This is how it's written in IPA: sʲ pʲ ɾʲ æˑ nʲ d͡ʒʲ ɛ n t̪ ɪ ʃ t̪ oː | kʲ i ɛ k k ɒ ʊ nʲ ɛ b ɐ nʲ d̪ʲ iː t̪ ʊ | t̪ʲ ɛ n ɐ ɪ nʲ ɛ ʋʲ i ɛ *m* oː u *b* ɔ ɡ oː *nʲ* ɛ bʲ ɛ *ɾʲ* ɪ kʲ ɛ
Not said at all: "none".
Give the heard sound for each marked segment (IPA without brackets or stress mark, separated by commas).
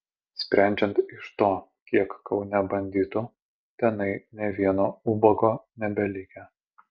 n, b, nʲ, lʲ